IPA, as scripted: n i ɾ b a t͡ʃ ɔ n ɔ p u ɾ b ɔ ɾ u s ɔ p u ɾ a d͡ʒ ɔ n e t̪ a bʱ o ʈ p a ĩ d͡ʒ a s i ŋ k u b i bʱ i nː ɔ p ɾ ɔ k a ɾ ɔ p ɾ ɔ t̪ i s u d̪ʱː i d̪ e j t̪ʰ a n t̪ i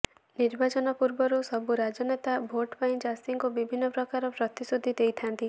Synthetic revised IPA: n i ɾ b a t͡ʃ ɔ n ɔ p u ɾ b ɔ ɾ u s ɔ b u ɾ a d͡ʒ ɔ n e t̪ a bʱ o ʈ p a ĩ d͡ʒ a s i ŋ k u b i bʱ i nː ɔ p ɾ ɔ k a ɾ ɔ p ɾ ɔ t̪ i s u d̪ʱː i d̪ e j t̪ʰ a n t̪ i